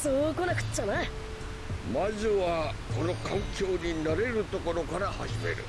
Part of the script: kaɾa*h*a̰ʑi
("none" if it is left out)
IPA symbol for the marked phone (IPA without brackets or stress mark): h